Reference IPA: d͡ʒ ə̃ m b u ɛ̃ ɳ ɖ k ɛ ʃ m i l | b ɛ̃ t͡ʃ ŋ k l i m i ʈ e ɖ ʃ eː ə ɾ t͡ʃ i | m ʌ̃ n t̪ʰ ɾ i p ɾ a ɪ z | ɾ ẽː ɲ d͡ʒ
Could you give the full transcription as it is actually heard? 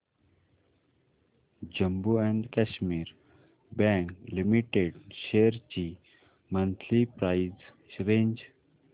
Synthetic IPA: d͡ʒ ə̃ m b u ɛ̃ ɳ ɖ k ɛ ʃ m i ɾ | b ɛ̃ ŋ k l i m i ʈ e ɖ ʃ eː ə ɾ t͡ʃ i | m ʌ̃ n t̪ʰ l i p ɾ a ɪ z | ɾ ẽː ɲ d͡ʒ

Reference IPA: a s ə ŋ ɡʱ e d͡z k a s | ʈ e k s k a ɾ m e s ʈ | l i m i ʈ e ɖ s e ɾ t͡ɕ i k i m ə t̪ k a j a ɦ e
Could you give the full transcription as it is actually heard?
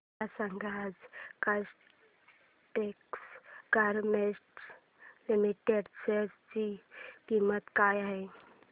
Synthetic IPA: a s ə ŋ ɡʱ a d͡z k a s | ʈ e k s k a ɾ m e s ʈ | l i m i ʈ e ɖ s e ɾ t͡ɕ i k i m ə t̪ k a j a ɦ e

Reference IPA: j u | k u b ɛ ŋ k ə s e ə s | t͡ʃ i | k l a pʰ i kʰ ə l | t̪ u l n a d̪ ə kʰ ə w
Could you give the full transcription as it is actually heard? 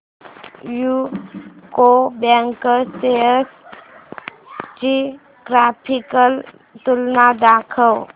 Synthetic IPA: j u | k o b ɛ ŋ k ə s e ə s | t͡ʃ i | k ɾ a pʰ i k ə l | t̪ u l n a d̪ a kʰ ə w

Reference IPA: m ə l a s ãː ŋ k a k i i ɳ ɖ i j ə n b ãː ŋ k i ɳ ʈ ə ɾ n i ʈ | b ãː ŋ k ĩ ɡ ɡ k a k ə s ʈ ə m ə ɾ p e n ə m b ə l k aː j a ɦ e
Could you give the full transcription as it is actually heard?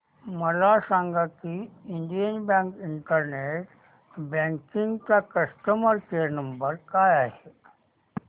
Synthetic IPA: m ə l a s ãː ŋ ɡ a k i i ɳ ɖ i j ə n b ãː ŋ k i ɳ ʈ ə ɾ n e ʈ | b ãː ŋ k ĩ ŋ ɡ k a k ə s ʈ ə m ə ɾ k e n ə m b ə ɾ k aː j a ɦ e

